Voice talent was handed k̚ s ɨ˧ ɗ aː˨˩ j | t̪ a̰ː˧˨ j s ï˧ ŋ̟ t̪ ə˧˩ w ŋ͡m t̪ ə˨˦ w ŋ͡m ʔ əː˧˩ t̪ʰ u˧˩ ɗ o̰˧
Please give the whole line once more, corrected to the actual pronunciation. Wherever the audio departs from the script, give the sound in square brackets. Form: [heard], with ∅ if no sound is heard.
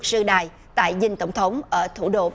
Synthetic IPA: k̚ s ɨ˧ ɗ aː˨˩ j | t̪ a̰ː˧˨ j [z] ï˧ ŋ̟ t̪ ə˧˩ w ŋ͡m [t̪ʰ] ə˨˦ w ŋ͡m ʔ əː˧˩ t̪ʰ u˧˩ ɗ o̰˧